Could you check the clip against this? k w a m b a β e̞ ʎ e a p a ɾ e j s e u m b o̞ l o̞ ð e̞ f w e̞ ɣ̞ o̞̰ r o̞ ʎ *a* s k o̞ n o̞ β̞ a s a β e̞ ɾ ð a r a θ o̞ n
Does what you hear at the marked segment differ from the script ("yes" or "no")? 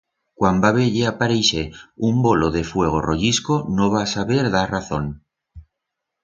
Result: yes